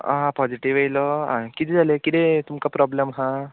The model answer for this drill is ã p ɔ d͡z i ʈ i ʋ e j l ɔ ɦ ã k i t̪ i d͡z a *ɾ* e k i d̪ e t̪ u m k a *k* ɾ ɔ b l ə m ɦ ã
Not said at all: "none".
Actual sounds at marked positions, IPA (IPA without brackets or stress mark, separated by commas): l, p